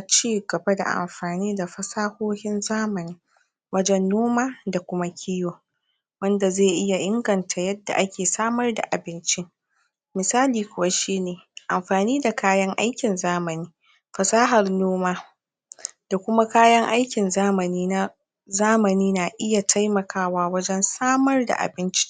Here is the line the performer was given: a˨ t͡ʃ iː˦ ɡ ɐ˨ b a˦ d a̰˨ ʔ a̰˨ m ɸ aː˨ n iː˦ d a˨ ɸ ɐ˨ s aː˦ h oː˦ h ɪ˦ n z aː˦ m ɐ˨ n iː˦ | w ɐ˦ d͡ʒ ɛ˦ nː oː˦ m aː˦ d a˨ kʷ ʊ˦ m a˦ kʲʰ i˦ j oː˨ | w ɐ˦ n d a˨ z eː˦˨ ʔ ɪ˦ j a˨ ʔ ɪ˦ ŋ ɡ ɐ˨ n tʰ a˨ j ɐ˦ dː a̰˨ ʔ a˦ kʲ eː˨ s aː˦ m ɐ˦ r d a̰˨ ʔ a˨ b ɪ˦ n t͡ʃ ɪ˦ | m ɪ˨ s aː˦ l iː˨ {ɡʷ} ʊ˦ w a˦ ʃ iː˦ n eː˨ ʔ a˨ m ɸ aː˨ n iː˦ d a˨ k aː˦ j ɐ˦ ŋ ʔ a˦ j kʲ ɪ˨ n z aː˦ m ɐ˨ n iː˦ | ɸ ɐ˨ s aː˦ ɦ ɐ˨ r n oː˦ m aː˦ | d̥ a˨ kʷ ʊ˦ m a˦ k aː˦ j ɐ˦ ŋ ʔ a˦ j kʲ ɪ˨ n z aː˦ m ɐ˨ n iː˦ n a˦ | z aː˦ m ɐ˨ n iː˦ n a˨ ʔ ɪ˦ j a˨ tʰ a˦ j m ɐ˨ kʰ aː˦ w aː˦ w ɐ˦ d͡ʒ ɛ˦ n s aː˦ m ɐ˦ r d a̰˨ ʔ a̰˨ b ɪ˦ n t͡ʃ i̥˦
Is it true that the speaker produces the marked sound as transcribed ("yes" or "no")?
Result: no